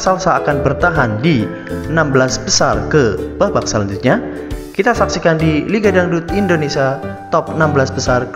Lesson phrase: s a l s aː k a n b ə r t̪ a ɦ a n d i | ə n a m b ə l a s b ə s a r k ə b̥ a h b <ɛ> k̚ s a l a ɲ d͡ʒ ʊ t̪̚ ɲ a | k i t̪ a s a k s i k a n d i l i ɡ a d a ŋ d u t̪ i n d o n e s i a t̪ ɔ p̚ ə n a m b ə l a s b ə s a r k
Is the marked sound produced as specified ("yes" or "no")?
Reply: no